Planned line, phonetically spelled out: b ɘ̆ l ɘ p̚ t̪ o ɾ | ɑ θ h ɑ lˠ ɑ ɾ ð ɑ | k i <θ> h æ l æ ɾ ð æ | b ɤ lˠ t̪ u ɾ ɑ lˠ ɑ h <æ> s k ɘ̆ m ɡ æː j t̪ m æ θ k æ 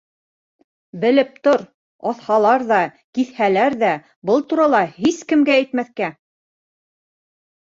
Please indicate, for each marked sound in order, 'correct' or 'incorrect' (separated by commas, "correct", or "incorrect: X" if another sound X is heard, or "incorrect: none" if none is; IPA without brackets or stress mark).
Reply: correct, incorrect: i